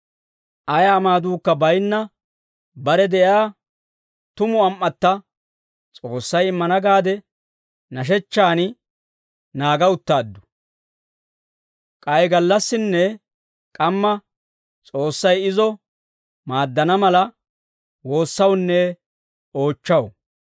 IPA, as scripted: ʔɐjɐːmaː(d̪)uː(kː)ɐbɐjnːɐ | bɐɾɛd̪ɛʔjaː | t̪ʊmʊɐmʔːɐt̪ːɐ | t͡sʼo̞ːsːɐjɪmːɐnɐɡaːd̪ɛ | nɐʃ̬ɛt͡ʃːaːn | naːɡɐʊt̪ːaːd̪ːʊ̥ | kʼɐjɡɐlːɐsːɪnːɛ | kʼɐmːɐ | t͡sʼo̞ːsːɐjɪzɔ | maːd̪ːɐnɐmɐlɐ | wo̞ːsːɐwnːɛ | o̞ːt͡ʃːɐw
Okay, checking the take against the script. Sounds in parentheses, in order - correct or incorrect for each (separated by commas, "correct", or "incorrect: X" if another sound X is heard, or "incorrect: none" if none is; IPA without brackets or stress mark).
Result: correct, correct